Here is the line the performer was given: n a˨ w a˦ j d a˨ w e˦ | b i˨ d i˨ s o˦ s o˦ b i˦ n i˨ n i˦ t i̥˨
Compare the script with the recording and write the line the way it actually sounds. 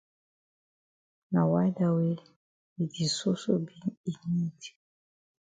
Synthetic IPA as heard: n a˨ w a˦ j d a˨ w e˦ | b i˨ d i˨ s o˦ s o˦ b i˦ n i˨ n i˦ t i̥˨